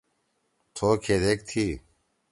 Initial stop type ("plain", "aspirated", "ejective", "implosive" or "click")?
aspirated